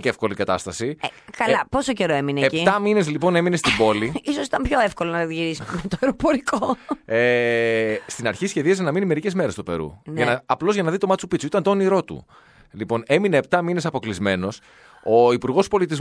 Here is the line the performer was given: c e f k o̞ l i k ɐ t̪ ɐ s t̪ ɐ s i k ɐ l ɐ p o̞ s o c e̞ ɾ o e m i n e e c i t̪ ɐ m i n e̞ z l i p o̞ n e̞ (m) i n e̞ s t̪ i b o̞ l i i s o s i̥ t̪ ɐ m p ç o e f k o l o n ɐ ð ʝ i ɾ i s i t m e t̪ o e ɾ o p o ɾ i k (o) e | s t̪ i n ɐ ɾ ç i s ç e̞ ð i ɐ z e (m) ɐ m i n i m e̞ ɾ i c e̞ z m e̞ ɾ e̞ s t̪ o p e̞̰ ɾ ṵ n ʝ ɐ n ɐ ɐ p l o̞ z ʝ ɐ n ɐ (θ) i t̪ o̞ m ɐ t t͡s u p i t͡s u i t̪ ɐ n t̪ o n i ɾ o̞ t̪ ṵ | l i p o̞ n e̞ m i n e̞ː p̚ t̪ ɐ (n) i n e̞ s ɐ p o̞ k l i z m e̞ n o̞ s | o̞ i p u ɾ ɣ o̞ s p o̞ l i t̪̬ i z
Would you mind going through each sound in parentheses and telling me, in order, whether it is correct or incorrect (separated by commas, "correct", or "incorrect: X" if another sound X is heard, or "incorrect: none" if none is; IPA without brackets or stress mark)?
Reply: correct, correct, incorrect: n, incorrect: ð, incorrect: m